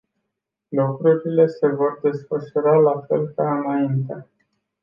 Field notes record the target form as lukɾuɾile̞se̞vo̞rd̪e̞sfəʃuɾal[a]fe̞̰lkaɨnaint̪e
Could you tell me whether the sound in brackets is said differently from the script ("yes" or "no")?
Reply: no